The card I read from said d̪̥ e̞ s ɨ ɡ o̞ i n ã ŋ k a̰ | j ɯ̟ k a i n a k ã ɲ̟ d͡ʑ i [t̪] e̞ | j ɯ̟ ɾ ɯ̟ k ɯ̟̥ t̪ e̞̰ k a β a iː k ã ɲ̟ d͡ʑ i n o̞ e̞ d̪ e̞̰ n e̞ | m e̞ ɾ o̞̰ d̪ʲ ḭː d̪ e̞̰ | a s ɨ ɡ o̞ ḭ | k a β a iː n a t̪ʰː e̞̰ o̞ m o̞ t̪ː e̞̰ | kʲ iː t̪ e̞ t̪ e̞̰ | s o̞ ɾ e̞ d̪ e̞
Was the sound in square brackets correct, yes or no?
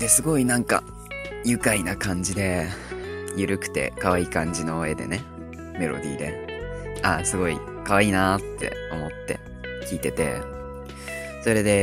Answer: no